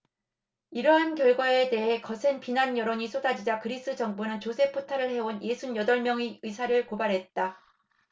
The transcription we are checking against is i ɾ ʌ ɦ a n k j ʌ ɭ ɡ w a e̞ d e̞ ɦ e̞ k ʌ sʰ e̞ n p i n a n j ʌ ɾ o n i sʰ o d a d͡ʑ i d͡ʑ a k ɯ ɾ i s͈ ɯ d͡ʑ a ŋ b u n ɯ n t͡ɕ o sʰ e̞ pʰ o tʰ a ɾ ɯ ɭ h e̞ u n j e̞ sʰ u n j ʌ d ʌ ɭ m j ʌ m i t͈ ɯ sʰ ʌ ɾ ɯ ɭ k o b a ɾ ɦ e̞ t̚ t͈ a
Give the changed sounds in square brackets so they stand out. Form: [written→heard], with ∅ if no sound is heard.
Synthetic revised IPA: i ɾ ʌ ɦ a n k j ʌ ɭ ɡ w a e̞ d e̞ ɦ e̞ k ʌ sʰ e̞ n p i n a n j ʌ ɾ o [n→ɲ] i sʰ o d a d͡ʑ i d͡ʑ a k ɯ ɾ i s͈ ɯ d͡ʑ [a→ʌ] ŋ b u n ɯ n t͡ɕ o sʰ e̞ pʰ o tʰ a ɾ ɯ ɭ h e̞ [u→o] n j e̞ sʰ u n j ʌ d ʌ ɭ m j ʌ [m→ŋ] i [t͈→∅] ɯ sʰ [ʌ→a] ɾ ɯ ɭ k o b a ɾ ɦ e̞ t̚ t͈ a